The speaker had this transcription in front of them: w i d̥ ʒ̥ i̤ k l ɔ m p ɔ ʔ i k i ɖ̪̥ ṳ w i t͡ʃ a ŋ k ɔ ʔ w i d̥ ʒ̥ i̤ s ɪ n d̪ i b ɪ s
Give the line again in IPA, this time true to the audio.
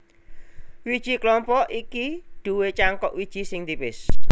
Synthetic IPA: w i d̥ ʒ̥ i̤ k l ɔ m p ɔ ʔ i k i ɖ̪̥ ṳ w e t͡ʃ a ŋ k ɔ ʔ w i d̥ ʒ̥ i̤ s ɪ ŋ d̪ i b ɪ s